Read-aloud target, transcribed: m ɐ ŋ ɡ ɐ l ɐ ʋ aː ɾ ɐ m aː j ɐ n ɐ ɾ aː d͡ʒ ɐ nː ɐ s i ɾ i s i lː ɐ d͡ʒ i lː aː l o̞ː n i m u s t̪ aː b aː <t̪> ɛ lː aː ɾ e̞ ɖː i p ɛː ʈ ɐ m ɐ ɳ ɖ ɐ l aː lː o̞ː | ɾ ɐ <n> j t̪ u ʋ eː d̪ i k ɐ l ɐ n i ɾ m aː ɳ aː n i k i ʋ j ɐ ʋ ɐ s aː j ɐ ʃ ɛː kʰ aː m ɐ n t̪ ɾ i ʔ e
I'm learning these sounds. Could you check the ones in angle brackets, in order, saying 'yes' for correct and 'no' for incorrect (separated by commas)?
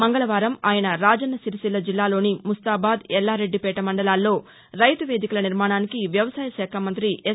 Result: no, no